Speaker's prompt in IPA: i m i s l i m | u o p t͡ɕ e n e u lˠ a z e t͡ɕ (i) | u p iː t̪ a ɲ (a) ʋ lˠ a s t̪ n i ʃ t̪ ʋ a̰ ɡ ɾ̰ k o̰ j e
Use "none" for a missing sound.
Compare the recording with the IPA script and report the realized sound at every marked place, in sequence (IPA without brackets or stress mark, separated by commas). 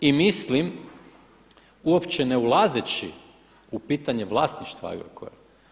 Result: i, e